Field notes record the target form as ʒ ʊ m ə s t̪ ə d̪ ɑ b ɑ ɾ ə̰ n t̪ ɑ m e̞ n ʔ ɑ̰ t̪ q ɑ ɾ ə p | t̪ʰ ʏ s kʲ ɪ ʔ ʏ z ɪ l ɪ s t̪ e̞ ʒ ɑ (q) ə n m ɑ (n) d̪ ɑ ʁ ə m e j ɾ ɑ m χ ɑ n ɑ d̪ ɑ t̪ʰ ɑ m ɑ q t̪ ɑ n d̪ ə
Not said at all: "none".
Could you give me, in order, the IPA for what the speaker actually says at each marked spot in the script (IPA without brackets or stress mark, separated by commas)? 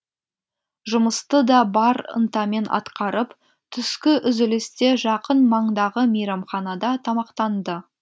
q, ɴ